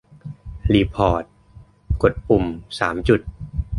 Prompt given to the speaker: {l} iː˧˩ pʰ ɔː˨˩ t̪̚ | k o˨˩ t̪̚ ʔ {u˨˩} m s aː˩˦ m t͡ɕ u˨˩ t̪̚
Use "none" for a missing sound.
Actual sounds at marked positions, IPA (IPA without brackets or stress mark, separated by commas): l, u˨˩